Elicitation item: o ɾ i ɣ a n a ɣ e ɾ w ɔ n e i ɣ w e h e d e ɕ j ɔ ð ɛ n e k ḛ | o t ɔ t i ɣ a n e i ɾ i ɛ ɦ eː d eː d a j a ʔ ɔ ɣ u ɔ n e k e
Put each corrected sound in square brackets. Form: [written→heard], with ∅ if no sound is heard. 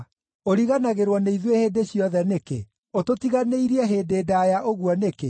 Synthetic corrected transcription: o ɾ i ɣ a n a ɣ e ɾ w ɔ n e i [ɣ→ð] w e h e d e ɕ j ɔ ð ɛ n e k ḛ | o t [ɔ→o] t i ɣ a n e i ɾ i ɛ ɦ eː d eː d a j a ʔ [ɔ→o] ɣ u ɔ n e k e